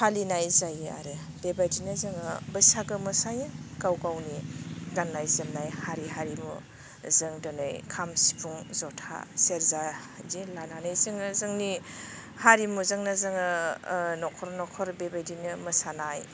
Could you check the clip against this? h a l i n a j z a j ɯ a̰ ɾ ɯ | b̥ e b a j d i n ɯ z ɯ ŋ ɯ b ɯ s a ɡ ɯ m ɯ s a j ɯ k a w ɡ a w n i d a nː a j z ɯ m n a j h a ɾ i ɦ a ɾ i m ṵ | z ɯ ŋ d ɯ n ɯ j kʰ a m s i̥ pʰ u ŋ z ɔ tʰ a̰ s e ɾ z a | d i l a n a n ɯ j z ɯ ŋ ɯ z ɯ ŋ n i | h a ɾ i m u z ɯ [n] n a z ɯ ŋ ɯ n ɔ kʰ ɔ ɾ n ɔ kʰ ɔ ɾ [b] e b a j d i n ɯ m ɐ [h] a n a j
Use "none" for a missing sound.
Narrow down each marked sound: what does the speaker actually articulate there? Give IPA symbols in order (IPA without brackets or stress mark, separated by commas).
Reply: ŋ, b, s